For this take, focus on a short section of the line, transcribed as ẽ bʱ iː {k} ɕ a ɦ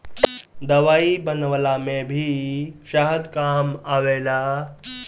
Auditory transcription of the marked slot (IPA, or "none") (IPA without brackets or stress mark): none